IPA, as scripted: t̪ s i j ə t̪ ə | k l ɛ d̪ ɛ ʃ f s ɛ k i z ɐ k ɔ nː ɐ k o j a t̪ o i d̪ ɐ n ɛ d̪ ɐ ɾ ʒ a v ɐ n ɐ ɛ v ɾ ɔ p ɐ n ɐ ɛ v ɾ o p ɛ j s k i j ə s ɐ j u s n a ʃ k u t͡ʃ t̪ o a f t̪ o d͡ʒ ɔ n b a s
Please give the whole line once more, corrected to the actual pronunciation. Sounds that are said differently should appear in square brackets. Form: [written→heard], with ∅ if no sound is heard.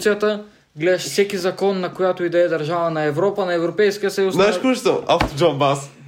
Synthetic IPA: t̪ s i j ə t̪ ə | [k→ɡ] l ɛ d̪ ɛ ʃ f s ɛ k i z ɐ k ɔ nː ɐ k o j a t̪ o i d̪ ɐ [n→∅] ɛ d̪ ɐ ɾ ʒ a v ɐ n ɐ ɛ v ɾ ɔ p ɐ n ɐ ɛ v ɾ o p ɛ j s k i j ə s ɐ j u s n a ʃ k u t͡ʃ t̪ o a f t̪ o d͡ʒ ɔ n b a s